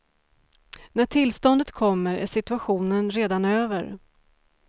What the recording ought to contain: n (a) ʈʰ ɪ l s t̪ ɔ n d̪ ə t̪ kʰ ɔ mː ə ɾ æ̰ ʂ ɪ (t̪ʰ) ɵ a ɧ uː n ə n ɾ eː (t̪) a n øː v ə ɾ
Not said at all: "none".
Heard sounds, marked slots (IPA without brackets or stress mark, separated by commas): æ, t̪, d̪